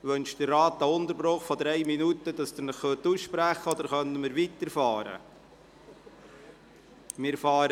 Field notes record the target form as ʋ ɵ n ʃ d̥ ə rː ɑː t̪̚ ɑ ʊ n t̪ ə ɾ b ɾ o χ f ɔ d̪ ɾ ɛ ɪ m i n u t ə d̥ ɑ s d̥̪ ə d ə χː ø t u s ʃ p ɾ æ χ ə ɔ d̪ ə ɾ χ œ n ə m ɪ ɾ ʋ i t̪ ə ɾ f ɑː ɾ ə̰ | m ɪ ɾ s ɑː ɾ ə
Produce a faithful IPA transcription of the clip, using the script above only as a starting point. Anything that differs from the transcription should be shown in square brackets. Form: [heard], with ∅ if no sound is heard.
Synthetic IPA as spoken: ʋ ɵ n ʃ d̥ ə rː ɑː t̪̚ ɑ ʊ n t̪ ə ɾ b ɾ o χ f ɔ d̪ ɾ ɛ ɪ m i n u t ə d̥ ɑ s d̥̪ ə [n] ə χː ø t u s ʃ p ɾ æ χ ə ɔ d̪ ə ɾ χ œ n ə m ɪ ɾ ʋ i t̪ ə ɾ f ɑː ɾ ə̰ | m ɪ ɾ [f] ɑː ɾ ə